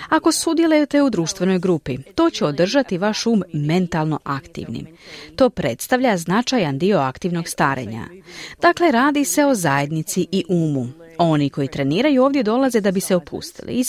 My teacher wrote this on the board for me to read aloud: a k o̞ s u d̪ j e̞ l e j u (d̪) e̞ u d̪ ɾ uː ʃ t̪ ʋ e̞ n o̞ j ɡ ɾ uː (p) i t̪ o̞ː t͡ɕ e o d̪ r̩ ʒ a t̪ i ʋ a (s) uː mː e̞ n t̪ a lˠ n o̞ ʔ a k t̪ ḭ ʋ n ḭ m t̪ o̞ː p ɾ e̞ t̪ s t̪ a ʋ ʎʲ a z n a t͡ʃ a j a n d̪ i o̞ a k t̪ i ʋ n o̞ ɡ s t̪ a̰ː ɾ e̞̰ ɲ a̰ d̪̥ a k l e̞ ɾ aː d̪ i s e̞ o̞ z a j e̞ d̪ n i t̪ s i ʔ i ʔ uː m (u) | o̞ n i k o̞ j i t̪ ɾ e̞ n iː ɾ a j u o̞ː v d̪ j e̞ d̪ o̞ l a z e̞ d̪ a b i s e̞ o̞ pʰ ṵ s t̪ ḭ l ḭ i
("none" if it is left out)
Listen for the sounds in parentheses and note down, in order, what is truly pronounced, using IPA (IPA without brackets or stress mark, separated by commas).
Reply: t̪, p, ʃ, u